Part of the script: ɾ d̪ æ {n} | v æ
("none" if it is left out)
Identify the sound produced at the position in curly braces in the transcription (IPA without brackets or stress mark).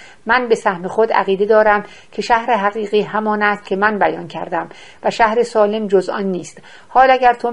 m